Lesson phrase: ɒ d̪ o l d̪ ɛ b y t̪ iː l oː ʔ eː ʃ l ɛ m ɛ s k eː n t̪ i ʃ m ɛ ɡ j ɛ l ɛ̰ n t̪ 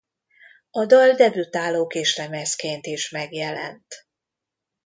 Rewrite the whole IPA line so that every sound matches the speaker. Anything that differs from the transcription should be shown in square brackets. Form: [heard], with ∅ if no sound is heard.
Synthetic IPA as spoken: ɒ d̪ [ɒ] l d̪ ɛ b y t̪ [aː] l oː [k] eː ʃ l ɛ m ɛ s k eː n t̪ i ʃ m ɛ ɡ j ɛ l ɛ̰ n t̪